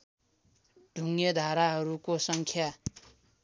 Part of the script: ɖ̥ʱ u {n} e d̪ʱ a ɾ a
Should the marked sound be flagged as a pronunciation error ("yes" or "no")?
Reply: yes